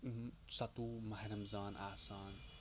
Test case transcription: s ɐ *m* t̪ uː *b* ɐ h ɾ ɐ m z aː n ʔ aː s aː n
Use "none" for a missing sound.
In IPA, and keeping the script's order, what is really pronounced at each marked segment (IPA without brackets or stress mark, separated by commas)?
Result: none, m